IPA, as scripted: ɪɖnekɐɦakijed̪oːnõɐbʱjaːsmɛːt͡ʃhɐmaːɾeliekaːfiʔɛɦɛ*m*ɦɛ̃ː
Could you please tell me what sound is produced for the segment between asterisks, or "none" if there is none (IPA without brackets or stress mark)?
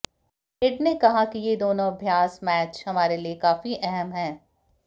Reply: m